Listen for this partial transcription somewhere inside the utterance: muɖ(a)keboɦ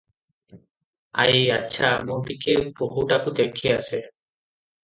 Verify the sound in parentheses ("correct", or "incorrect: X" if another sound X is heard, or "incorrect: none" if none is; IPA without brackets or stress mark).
incorrect: i